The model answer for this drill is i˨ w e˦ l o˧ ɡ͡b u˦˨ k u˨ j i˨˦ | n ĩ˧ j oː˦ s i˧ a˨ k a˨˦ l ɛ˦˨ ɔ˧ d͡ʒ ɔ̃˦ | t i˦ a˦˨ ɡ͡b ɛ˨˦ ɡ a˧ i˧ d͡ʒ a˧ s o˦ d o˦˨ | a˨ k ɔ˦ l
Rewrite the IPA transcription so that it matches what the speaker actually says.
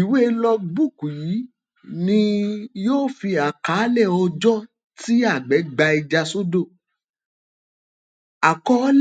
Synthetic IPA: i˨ w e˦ l ɔ˧ ɡ͡b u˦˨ k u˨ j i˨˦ | n ĩ˧ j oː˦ f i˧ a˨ k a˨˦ l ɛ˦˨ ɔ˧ d͡ʒ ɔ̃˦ | t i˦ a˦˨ ɡ͡b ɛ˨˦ ɡ͡b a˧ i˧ d͡ʒ a˧ s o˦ d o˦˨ | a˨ k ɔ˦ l